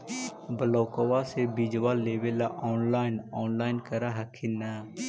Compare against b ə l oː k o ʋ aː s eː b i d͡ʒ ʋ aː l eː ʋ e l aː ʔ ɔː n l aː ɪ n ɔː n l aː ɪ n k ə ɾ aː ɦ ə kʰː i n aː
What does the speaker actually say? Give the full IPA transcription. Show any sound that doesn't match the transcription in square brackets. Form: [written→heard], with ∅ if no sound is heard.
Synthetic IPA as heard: b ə l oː k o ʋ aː s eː b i d͡ʒ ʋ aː l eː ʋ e l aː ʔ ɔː n l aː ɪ n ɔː n l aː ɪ n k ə ɾ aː ɦ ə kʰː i n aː